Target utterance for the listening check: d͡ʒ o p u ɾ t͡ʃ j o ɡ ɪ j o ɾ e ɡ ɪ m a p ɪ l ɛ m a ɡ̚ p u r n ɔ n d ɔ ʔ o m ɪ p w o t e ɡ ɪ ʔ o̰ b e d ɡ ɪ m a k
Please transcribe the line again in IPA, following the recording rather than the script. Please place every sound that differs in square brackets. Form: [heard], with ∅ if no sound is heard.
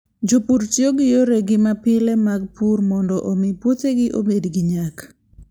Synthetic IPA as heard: d͡ʒ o p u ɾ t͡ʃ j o ɡ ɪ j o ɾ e ɡ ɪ m a p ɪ l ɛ m a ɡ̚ p u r [m] ɔ n d ɔ ʔ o m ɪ p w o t e ɡ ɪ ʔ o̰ b e d ɡ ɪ [ɲ] a k